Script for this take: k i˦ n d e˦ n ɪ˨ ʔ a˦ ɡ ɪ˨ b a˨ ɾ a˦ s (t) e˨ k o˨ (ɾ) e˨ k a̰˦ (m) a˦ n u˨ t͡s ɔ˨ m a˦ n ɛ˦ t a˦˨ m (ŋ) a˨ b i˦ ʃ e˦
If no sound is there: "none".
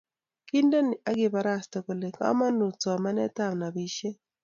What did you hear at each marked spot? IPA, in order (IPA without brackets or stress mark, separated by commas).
t, l, m, n